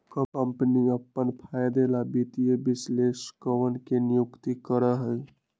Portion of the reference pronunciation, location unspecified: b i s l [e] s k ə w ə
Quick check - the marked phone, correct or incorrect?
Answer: correct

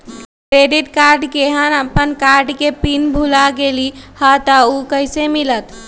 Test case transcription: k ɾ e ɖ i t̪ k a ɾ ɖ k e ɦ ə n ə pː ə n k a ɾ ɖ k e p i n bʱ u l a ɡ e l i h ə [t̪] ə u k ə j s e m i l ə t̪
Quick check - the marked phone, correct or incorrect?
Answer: correct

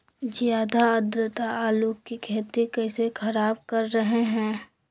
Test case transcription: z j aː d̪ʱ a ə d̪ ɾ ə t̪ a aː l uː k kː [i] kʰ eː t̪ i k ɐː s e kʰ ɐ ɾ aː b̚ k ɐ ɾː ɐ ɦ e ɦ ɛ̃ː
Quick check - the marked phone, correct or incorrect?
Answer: correct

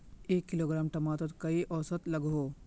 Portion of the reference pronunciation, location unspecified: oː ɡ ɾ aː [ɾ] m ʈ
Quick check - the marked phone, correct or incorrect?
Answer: incorrect: none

